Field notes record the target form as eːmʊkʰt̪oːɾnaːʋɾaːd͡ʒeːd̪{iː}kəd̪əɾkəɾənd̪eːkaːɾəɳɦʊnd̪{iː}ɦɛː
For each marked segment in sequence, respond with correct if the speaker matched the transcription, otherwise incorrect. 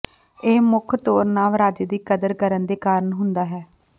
correct, incorrect: aː

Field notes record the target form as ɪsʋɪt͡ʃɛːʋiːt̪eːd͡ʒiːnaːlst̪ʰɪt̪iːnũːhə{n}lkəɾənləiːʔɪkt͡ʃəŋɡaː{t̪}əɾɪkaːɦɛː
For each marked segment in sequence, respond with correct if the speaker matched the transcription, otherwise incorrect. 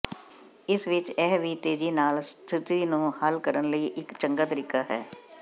incorrect: none, correct

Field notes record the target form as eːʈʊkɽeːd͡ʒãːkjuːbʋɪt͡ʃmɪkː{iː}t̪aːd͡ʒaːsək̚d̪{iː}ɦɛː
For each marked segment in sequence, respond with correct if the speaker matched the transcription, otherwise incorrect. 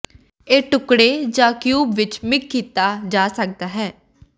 correct, incorrect: aː

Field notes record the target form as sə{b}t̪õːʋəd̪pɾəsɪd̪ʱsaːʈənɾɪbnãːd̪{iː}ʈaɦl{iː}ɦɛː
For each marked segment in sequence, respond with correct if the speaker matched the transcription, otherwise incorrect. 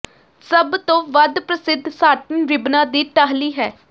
correct, correct, correct

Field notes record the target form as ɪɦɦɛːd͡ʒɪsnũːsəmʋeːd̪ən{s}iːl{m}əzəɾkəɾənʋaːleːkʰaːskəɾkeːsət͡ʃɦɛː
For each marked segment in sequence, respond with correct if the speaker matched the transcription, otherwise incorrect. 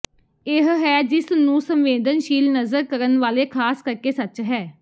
incorrect: ʃ, incorrect: n

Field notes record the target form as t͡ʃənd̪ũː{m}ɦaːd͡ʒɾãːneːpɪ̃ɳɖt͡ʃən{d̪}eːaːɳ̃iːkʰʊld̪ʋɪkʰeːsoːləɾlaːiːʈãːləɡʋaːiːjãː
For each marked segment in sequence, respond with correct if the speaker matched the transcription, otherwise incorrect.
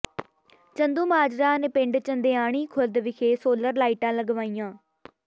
correct, correct

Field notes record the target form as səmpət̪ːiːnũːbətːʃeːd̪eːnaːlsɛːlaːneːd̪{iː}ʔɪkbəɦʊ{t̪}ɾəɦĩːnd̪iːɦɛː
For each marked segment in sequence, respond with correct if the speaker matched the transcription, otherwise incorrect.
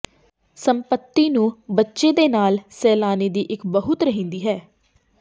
correct, correct

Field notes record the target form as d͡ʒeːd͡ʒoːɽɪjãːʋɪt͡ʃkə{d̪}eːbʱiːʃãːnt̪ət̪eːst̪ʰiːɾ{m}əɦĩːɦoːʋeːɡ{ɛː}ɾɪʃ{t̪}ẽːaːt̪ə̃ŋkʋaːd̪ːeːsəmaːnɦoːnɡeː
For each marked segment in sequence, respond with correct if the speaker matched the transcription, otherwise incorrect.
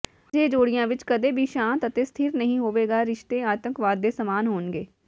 correct, incorrect: n, incorrect: aː, correct

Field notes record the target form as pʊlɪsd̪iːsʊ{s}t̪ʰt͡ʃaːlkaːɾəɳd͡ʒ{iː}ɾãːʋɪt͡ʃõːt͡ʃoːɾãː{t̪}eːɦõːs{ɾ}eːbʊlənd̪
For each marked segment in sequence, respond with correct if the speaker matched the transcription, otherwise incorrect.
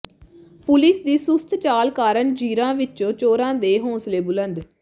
correct, correct, incorrect: d̪, incorrect: l

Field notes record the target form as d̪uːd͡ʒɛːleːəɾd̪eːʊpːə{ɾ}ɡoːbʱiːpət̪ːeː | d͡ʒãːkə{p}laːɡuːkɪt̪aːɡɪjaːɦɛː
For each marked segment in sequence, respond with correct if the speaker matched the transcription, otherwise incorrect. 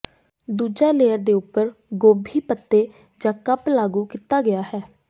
correct, correct

